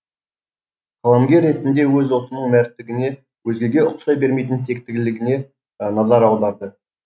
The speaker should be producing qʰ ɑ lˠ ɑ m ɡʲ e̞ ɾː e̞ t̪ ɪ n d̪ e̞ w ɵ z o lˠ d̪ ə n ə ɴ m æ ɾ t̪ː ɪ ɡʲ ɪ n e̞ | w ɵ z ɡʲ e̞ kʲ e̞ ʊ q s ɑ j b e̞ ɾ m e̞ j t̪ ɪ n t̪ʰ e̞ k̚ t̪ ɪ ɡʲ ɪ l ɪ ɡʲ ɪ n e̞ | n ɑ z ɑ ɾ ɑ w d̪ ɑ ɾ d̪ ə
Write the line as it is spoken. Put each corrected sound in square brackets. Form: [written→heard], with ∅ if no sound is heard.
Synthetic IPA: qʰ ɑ lˠ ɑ m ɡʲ e̞ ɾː e̞ t̪ ɪ n d̪ e̞ w ɵ z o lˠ [d̪→t̪] ə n ə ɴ m æ ɾ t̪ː ɪ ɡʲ ɪ n e̞ | w ɵ z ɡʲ e̞ [kʲ→ɡʲ] e̞ ʊ q s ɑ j b e̞ ɾ m e̞ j t̪ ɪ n t̪ʰ e̞ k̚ t̪ ɪ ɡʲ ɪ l ɪ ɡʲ ɪ n e̞ | n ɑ z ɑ ɾ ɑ w d̪ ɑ ɾ d̪ ə